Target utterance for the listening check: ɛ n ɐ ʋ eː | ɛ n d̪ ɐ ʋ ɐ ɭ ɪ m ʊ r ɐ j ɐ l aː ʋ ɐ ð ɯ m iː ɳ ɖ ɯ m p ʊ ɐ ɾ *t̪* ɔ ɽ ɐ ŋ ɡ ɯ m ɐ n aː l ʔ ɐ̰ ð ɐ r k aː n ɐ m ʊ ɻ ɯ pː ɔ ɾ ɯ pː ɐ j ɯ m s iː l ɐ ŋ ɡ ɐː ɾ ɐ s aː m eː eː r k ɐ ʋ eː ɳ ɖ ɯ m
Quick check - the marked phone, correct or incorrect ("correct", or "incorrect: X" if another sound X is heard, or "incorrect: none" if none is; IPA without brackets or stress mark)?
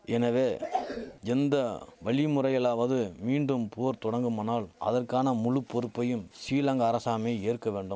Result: correct